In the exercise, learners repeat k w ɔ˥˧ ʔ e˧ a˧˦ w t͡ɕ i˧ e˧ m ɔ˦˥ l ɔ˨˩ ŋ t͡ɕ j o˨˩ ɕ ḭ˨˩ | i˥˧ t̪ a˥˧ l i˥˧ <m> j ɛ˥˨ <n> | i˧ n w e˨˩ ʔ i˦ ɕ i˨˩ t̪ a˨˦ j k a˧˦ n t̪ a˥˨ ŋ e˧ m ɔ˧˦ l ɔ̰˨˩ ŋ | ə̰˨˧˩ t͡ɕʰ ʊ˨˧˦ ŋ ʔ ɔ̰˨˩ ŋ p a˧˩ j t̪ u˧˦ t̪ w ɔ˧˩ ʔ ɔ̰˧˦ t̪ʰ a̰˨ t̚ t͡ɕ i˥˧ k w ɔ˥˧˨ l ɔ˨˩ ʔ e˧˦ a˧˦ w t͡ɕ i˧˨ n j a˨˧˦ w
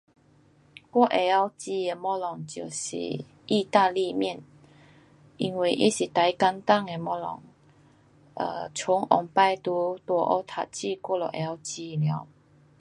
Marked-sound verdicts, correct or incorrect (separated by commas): correct, correct